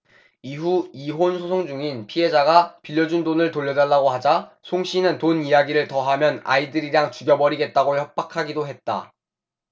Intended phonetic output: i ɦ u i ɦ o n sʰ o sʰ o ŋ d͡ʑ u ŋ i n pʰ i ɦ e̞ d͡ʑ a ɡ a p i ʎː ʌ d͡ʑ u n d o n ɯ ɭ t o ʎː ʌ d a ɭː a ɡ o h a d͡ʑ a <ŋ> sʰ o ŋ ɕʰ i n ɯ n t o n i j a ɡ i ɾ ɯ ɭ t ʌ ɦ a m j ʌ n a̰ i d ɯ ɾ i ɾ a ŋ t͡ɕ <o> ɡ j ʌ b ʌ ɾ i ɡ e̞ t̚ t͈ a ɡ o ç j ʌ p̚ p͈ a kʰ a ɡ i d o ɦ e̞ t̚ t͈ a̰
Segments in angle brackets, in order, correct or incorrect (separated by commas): incorrect, incorrect